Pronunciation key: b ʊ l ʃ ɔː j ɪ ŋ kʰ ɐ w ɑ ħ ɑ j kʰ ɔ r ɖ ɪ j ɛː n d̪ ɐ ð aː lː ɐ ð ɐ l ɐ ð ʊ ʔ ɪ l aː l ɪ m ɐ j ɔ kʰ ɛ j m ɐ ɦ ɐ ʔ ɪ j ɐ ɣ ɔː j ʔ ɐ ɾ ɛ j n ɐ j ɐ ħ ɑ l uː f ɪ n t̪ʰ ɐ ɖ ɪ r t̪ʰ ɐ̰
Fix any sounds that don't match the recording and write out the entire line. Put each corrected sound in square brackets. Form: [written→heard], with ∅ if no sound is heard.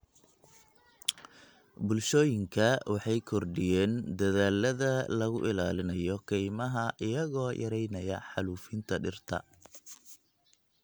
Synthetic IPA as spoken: b ʊ l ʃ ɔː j ɪ ŋ kʰ ɐ w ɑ ħ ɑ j kʰ ɔ r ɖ ɪ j ɛː n d̪ ɐ ð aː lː ɐ ð ɐ l ɐ [ð→ɣ] ʊ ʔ ɪ l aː l ɪ [m→n] ɐ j ɔ kʰ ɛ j m ɐ ɦ ɐ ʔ ɪ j ɐ ɣ ɔː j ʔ ɐ ɾ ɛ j n ɐ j ɐ ħ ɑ l uː f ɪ n t̪ʰ ɐ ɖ ɪ r t̪ʰ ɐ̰